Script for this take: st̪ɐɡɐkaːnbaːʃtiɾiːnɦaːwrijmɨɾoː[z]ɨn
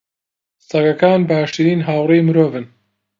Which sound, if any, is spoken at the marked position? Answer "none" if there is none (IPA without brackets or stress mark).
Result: v